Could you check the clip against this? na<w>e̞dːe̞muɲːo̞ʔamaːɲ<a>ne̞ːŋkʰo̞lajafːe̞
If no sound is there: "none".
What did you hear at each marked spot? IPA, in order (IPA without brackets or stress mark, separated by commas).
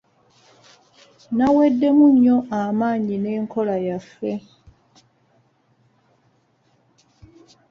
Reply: w, i